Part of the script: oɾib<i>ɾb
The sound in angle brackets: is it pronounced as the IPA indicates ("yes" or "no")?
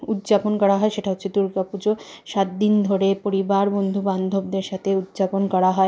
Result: no